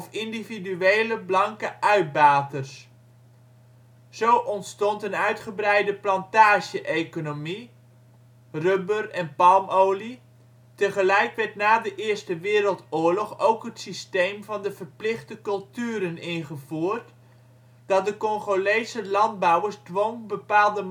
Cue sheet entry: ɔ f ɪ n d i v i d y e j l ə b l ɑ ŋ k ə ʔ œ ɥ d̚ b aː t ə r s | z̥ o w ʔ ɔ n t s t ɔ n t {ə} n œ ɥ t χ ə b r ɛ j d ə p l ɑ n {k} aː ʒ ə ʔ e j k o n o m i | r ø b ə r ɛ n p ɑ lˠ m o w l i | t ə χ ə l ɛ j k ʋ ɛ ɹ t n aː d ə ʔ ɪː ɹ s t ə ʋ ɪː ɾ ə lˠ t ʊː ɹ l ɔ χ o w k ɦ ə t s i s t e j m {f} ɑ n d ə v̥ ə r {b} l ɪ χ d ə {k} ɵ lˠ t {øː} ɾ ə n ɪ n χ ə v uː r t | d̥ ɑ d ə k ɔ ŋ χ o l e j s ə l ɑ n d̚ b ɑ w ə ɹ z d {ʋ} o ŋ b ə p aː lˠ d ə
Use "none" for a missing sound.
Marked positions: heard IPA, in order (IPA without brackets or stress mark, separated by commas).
ə, t, v, p, k, yː, ʋ